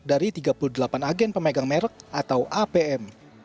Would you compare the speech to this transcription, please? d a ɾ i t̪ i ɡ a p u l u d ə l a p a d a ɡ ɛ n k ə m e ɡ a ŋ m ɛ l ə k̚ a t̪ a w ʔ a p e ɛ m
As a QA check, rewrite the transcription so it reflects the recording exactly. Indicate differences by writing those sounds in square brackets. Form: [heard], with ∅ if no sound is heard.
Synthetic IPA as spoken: d a ɾ i t̪ i ɡ a p u l u d ə l a p a [n] a ɡ ɛ n [p] ə m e ɡ a ŋ m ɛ [ɾ] ə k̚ a t̪ a w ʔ a p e ɛ m